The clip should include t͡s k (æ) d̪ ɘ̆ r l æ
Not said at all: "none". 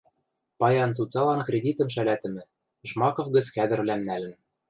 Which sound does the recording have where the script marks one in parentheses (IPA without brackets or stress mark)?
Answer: æ